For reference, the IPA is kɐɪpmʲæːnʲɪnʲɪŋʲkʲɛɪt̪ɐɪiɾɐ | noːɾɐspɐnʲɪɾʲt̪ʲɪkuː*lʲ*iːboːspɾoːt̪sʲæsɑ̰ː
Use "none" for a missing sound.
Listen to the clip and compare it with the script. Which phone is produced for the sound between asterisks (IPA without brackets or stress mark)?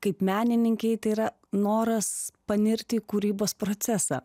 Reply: ɾʲ